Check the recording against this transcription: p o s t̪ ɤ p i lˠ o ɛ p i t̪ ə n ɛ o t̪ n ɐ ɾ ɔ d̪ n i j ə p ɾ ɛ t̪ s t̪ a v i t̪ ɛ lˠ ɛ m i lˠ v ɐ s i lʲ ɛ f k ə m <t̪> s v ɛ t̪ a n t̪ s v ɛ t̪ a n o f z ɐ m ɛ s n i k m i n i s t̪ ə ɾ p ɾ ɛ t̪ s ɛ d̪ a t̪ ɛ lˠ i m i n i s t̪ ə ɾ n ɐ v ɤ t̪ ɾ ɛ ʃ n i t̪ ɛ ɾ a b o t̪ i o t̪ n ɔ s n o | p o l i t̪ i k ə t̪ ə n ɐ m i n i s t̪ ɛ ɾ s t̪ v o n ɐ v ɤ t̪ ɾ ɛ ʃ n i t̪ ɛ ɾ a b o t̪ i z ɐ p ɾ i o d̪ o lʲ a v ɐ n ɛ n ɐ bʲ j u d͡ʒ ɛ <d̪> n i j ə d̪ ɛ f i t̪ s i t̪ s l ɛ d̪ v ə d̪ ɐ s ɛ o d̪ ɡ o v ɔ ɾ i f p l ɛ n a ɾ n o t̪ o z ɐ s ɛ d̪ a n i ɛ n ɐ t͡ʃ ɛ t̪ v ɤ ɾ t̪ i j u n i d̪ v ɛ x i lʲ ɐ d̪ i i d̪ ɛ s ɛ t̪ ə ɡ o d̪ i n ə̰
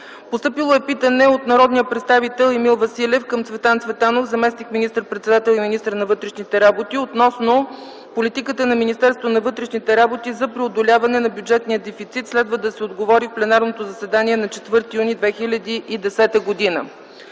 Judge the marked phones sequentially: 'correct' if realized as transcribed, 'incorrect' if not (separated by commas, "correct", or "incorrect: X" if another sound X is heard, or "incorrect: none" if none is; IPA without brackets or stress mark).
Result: correct, incorrect: t̪